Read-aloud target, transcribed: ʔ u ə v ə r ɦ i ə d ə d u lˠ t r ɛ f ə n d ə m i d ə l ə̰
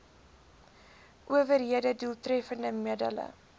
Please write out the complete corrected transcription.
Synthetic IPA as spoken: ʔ u ə v ə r ɦ i ə d ə d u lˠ t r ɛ f ə n d ə m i d ə l ə̰